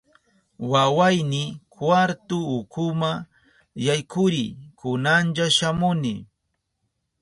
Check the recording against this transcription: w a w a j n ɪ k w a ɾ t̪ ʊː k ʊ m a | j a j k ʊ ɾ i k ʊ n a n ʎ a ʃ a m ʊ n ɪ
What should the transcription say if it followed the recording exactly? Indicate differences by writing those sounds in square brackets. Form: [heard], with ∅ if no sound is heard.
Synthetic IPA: w a w a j n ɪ k w a ɾ t̪ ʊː k ʊ m a | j a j k ʊ ɾ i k ʊ n a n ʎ a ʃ a m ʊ n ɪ